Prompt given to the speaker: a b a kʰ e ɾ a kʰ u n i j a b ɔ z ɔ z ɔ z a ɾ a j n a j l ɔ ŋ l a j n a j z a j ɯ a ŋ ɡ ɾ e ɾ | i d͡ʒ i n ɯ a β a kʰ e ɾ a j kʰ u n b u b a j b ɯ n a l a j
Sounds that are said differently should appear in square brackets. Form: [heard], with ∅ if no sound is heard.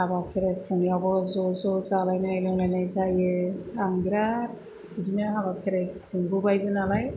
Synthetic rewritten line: a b a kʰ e ɾ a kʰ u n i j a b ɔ z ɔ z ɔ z a [l] a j n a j l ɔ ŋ l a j n a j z a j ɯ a ŋ ɡ ɾ [a] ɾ | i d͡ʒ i n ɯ a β a kʰ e ɾ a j kʰ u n b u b a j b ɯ n a l a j